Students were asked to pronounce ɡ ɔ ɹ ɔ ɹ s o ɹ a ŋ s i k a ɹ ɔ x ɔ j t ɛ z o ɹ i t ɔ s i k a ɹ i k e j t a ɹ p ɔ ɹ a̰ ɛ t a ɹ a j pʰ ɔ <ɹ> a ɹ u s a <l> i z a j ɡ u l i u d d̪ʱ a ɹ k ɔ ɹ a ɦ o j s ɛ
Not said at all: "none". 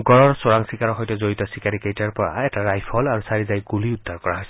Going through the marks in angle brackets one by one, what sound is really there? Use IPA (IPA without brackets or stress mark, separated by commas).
l, ɹ